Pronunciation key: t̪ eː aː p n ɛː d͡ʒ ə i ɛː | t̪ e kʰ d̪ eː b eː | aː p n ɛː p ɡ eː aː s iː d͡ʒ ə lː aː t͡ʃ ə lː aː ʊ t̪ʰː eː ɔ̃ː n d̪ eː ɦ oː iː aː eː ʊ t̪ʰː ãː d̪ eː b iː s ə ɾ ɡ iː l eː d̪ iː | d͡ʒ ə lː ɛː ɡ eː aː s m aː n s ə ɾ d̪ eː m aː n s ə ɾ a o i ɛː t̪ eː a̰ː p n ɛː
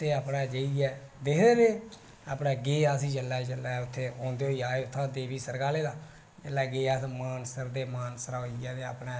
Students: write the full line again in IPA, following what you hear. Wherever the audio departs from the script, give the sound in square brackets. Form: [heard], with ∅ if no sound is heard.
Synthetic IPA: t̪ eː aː p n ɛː d͡ʒ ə i ɛː | [d̪] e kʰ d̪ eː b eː | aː p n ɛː [∅] ɡ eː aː s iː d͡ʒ ə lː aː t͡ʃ ə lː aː ʊ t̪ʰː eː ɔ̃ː n d̪ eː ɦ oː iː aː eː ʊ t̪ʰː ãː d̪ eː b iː s ə ɾ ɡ [aː] l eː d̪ [aː] | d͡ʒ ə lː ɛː ɡ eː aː s m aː n s ə ɾ d̪ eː m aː n s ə ɾ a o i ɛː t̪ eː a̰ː p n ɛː